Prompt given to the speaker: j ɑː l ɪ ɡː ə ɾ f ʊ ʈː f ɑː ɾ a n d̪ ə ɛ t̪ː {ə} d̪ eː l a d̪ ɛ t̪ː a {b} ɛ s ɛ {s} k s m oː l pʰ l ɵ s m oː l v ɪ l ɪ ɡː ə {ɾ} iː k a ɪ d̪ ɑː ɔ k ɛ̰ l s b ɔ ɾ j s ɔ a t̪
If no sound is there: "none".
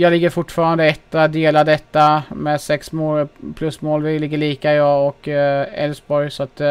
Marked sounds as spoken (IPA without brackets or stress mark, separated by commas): a, m, none, ɭ